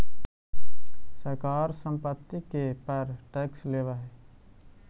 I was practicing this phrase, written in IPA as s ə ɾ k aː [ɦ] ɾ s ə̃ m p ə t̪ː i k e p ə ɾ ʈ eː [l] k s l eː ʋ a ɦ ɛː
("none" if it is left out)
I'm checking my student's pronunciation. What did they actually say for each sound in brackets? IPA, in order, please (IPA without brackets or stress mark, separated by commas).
none, none